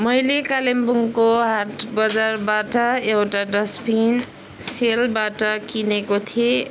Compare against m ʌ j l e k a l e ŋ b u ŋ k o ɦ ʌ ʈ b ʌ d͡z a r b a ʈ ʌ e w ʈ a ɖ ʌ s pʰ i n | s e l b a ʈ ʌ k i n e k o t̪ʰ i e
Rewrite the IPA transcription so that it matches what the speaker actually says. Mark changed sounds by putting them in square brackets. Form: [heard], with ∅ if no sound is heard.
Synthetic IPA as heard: m ʌ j l e k a l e [m] b u ŋ k o ɦ [a] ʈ b ʌ d͡z a r b a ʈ ʌ e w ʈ a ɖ ʌ s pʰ i n | s e l b a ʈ ʌ k i n e k o t̪ʰ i e